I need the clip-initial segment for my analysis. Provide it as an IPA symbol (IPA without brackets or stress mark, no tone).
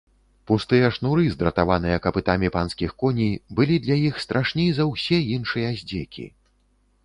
p